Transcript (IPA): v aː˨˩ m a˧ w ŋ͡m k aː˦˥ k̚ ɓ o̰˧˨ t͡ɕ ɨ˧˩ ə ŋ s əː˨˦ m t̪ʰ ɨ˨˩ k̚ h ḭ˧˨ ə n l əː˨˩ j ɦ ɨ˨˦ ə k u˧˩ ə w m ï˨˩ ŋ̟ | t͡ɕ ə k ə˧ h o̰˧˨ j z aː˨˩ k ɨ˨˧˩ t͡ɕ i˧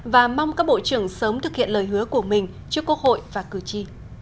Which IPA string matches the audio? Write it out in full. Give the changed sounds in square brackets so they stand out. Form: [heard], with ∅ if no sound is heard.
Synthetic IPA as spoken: v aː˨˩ m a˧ w ŋ͡m k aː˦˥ k̚ ɓ o̰˧˨ t͡ɕ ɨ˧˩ ə ŋ s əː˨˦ m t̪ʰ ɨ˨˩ k̚ h ḭ˧˨ ə n l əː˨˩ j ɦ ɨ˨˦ ə k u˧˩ ə [∅] m ï˨˩ ŋ̟ | t͡ɕ ə k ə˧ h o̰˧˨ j [v] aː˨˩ k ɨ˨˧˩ t͡ɕ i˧